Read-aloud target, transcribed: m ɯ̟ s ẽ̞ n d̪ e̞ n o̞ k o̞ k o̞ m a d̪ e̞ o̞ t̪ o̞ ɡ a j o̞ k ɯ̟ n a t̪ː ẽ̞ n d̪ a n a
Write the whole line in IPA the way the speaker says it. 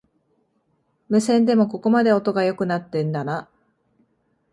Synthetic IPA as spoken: m ɯ̟ s ẽ̞ n d̪ e̞ m o̞ k o̞ k o̞ m a d̪ e̞ o̞ t̪ o̞ ɡ a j o̞ k ɯ̟ n a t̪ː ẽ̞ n d̪ a n a